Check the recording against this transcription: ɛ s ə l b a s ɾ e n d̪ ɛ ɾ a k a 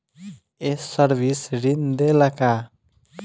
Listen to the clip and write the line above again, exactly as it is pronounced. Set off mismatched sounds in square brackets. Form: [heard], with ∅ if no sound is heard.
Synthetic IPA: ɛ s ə [ɾ] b [i] s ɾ [i] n d̪ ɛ [l] a k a